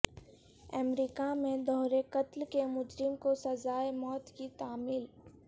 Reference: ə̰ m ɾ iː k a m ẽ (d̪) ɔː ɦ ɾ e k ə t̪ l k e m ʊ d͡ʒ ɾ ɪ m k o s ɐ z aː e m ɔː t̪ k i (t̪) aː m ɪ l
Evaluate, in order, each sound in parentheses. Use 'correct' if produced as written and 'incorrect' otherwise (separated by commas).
correct, correct